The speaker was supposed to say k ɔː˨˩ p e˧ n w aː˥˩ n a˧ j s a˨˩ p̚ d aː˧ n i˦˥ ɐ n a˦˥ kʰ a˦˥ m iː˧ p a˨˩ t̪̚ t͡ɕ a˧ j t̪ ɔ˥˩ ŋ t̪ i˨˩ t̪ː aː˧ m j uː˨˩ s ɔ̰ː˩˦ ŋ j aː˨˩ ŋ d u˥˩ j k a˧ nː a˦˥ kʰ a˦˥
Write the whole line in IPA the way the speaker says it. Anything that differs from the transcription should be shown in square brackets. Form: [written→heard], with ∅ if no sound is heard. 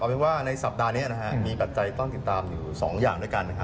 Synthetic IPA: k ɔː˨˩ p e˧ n w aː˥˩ n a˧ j s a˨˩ p̚ d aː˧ n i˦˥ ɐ n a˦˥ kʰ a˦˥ m iː˧ p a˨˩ t̪̚ t͡ɕ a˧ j t̪ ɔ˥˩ ŋ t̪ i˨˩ t̪ː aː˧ m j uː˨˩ s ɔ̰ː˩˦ ŋ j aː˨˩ ŋ d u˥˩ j k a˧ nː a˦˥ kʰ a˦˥